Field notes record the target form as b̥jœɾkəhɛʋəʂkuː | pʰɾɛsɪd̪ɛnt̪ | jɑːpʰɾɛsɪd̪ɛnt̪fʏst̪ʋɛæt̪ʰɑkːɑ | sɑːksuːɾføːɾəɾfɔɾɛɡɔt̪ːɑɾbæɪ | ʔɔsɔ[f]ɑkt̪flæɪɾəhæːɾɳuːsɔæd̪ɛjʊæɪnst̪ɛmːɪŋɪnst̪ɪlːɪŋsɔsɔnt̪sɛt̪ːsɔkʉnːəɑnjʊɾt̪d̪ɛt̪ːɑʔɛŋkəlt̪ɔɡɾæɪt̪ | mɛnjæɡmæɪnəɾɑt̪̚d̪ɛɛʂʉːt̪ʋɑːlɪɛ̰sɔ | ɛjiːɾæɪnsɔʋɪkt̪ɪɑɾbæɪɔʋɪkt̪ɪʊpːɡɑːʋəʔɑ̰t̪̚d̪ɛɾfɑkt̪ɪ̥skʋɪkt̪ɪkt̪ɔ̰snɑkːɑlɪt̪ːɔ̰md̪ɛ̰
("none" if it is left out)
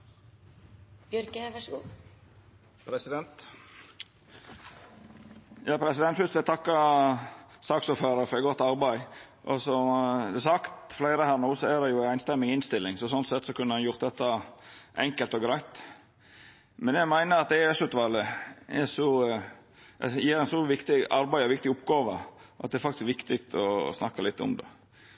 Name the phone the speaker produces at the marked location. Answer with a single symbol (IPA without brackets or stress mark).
s